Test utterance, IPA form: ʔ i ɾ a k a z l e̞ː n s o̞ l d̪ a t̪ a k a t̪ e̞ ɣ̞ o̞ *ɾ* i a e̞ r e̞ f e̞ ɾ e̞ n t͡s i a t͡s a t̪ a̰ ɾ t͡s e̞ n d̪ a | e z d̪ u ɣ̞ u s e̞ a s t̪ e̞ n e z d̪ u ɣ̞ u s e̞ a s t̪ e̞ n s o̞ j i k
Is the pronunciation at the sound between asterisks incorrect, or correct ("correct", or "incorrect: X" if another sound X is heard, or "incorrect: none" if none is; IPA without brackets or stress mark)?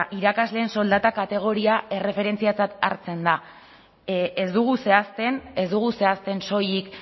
correct